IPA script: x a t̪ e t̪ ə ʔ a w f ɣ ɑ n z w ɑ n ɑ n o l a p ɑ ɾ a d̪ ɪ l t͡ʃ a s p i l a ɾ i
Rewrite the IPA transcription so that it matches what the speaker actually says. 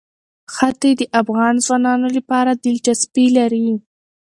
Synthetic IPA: x a t̪ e d̪ ə ʔ a f ɣ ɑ n z w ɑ n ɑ n o l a p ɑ ɾ a d̪ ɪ l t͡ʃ a s p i l a ɾ i